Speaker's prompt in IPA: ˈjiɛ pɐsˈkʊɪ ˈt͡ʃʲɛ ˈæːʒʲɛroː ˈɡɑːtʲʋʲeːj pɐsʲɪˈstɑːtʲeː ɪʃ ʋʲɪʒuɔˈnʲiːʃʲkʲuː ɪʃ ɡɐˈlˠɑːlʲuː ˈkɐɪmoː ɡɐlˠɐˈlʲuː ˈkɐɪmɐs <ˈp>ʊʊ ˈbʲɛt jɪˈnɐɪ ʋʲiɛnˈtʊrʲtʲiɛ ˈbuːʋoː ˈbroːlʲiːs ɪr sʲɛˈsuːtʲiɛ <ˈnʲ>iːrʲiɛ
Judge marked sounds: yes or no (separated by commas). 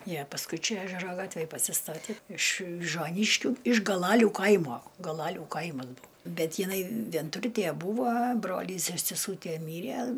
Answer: no, no